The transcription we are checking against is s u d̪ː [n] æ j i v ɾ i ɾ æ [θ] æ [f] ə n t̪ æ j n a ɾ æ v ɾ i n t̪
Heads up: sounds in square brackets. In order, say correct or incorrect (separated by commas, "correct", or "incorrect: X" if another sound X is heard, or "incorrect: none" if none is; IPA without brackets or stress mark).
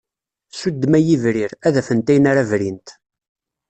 incorrect: m, incorrect: ð, correct